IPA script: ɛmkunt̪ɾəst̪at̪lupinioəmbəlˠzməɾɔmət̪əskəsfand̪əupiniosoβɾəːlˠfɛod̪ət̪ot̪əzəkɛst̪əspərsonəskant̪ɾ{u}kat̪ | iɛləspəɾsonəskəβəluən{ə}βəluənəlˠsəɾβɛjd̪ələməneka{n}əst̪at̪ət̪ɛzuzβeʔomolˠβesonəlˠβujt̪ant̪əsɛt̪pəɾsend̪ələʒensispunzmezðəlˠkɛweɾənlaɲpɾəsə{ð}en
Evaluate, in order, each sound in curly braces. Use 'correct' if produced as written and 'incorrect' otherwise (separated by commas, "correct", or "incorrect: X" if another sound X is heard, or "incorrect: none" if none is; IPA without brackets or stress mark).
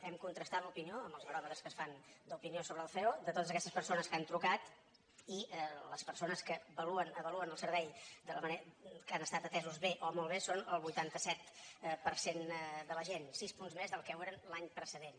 correct, correct, correct, correct